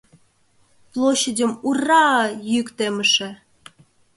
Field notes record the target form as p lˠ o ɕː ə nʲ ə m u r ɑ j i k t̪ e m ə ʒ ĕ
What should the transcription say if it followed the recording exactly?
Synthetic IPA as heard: p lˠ o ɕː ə dʲ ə m u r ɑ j y k t̪ e m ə ʃ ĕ